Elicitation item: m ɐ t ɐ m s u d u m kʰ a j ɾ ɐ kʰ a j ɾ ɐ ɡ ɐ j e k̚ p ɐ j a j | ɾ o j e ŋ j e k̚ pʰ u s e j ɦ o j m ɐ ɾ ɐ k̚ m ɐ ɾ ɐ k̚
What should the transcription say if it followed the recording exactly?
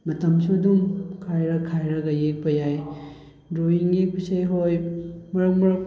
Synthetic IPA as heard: m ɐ t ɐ m s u d u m kʰ a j ɾ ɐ kʰ a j ɾ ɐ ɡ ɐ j e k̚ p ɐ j a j | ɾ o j i ŋ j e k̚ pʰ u s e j ɦ o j m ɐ ɾ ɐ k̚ m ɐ ɾ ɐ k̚

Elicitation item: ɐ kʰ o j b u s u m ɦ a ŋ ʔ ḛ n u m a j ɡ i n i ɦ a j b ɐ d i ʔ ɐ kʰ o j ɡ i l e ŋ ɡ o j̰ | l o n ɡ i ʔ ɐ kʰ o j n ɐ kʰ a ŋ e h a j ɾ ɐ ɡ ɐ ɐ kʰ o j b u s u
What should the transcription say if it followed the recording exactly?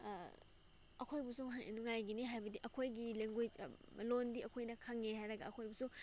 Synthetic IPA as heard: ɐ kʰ o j b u s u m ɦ a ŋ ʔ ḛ n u ŋ a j ɡ i n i ɦ a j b ɐ d i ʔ ɐ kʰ o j ɡ i l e ŋ ɡ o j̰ | l o n d i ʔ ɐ kʰ o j n ɐ kʰ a ŋ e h a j ɾ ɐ ɡ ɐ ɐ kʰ o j b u s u

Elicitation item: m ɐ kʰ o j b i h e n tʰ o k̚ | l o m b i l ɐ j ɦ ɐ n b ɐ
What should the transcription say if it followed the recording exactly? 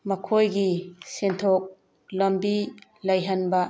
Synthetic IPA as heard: m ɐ kʰ o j ɡ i s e n tʰ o k̚ | l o m b i l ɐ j ɦ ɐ n b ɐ

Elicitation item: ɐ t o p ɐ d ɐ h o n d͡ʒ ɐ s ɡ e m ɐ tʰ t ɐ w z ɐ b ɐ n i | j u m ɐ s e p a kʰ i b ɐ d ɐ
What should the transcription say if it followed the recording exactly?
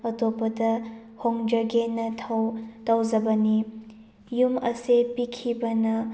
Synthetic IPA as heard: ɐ t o p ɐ d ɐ h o ŋ d͡ʒ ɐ ɡ e n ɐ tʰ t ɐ w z ɐ b ɐ n i | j u m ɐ s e p i kʰ i b ɐ n ɐ

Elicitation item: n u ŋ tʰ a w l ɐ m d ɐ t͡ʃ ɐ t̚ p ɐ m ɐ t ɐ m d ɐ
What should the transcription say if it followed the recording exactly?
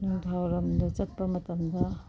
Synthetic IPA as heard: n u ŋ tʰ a w ɾ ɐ m d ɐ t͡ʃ ɐ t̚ p ɐ m ɐ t ɐ m d ɐ

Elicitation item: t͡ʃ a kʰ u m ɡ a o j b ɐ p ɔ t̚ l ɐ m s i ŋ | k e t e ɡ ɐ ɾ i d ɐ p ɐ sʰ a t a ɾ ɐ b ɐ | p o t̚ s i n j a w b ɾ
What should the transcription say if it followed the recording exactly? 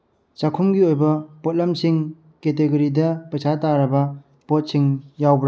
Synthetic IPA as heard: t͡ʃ a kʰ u m ɡ i o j b ɐ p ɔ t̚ l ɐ m s i ŋ | k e t e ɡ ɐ ɾ i d ɐ p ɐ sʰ a t a ɾ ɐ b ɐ | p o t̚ s i ŋ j a w b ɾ

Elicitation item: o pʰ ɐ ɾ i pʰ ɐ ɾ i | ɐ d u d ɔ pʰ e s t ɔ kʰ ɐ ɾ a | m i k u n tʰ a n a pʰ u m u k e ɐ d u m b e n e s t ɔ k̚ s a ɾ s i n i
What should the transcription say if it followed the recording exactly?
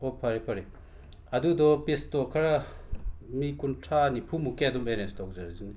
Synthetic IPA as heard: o pʰ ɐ ɾ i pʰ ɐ ɾ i | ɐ d u d ɔ p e s t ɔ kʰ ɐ ɾ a | m i k u n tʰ a n i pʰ u m u k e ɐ d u m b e n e s t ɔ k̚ z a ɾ z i n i

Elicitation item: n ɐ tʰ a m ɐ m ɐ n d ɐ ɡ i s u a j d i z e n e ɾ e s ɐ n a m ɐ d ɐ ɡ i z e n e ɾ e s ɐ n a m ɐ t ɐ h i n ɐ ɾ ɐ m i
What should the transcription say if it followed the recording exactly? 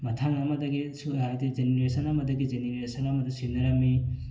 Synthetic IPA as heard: m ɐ tʰ a ŋ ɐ m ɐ d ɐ ɡ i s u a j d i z e n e ɾ e s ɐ n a m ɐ d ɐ ɡ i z e n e ɾ e s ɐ n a m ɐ d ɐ s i n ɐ ɾ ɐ m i

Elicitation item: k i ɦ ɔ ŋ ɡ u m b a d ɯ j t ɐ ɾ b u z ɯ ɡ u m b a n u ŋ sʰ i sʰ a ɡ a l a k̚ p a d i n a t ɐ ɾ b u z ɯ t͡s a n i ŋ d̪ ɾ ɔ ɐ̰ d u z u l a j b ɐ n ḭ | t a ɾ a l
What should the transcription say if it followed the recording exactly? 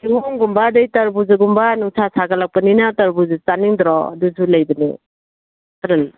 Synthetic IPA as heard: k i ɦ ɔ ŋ ɡ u m b a d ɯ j t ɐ ɾ b u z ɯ ɡ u m b a n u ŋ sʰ a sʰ a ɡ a l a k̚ p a n i n a t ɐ ɾ b u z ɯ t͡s a n i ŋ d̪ ɾ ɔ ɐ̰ d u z u l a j b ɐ n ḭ | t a ɾ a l

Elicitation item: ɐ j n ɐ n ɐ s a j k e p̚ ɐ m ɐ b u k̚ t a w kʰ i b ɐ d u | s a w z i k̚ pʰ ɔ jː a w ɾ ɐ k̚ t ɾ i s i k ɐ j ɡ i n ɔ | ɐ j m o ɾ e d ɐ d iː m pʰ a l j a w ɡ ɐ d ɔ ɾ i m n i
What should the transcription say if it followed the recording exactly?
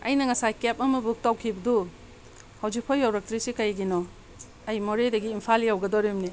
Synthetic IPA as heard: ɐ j n ɐ ŋ ɐ s a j k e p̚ ɐ m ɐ b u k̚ t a w kʰ i b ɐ d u | h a w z i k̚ pʰ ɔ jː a w ɾ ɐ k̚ t ɾ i s i k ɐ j ɡ i n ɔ | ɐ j m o ɾ e d ɐ ɡ iː m pʰ a l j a w ɡ ɐ d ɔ ɾ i m n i

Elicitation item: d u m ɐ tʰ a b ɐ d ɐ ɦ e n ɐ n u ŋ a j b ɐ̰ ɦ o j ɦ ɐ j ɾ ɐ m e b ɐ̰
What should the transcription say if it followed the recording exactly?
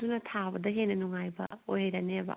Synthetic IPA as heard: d u n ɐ tʰ a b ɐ d ɐ ɦ e n ɐ n u ŋ a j b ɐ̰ o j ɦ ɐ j ɾ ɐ n e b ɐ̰

